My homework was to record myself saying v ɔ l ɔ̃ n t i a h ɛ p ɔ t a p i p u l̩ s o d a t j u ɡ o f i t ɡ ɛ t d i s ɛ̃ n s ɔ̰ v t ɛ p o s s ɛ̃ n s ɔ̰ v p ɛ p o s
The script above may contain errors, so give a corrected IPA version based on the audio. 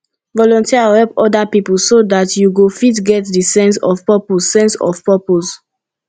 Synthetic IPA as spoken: v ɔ l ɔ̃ n t i a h ɛ p ɔ d a p i p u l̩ s o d a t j u ɡ o f i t ɡ ɛ t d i s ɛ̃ n s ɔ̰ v p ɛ p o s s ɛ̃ n s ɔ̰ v p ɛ p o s